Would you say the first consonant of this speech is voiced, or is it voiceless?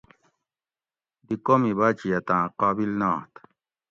voiced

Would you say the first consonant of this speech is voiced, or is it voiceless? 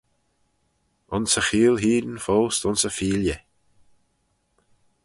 voiced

